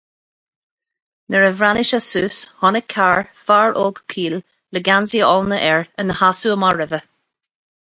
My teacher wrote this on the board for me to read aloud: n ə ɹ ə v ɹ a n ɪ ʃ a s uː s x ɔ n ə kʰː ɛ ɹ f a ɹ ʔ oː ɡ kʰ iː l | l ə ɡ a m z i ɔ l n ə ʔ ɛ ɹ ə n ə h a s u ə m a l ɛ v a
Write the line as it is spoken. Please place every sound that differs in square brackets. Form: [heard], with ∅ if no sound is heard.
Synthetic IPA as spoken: n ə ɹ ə v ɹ a n ɪ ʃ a s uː s [h] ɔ n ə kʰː [a] ɹ f a ɹ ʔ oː ɡ kʰ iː l | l ə ɡ a [n] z i ɔ l n ə ʔ ɛ ɹ ə n ə h a s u ə m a [ɹ] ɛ v [ə]